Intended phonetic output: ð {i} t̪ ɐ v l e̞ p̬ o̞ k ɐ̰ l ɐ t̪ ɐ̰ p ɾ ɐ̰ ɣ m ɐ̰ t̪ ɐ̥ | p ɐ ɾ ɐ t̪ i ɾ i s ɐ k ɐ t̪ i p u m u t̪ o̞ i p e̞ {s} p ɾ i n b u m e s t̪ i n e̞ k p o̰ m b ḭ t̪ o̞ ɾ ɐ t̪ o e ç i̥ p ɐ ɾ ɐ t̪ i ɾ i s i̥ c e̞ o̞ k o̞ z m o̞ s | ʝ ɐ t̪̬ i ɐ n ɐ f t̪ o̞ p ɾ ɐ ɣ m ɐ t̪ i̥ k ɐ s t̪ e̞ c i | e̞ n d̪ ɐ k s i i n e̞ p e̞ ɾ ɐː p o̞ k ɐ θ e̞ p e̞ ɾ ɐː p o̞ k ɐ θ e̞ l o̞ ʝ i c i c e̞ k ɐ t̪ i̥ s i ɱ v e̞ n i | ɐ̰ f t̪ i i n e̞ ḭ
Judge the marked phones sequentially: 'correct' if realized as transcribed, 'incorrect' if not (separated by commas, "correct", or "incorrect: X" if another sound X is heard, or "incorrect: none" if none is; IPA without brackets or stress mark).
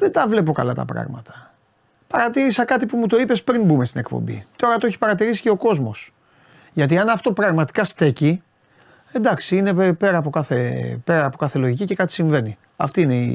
incorrect: e, correct